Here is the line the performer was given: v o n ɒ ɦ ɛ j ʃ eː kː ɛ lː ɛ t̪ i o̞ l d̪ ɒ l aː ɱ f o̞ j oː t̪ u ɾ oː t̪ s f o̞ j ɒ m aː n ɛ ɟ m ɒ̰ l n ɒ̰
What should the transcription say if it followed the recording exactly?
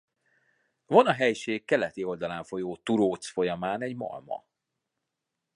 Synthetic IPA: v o n ɒ ɦ ɛ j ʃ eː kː ɛ l ɛ t̪ i o̞ l d̪ ɒ l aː ɱ f o̞ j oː t̪ u ɾ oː t̪ s f o̞ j ɒ m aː n ɛ ɟ m ɒ̰ l m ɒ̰